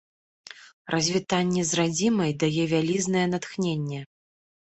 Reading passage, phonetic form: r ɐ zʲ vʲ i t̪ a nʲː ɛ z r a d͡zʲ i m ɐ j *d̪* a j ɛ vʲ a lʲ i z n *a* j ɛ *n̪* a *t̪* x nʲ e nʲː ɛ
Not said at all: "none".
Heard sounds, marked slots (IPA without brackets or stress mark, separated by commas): d̪, ɐ, n̪, t̪